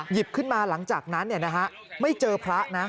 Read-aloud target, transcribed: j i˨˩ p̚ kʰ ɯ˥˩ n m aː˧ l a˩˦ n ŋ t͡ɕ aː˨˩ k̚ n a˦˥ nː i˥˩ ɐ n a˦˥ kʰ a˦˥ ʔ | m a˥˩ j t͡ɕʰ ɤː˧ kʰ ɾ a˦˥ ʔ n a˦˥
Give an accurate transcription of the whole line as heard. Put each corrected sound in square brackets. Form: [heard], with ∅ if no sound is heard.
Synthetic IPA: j i˨˩ p̚ kʰ ɯ˥˩ n m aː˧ l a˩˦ [∅] ŋ t͡ɕ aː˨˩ k̚ n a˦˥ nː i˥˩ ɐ n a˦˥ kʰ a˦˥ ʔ | m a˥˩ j [t͡ɕ] ɤː˧ [pʰ] ɾ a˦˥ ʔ n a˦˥